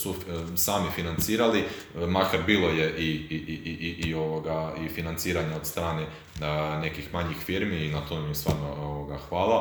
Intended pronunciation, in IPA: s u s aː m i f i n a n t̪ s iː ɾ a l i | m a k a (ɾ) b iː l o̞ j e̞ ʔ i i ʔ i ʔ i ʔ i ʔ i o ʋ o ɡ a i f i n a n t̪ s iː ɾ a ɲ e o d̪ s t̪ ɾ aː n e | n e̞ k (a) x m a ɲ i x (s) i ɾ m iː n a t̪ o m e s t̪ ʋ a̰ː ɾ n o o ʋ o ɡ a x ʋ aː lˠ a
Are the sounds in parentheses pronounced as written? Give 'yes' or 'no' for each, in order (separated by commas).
yes, no, no